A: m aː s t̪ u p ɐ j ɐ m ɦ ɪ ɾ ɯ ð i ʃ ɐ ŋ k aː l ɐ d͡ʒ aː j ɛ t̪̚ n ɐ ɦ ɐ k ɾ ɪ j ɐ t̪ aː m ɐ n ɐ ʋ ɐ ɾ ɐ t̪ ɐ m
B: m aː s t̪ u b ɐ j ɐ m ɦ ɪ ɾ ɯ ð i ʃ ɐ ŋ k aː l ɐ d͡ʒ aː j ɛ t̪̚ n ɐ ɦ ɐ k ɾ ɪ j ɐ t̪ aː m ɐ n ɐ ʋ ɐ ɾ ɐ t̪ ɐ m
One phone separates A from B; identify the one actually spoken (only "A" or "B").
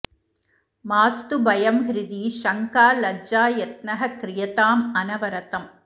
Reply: B